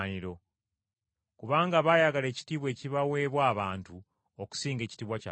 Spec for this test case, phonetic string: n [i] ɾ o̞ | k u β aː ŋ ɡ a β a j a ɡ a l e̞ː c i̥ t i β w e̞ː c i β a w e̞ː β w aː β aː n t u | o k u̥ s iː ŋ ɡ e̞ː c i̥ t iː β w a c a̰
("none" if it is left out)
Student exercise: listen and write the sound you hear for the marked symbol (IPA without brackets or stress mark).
i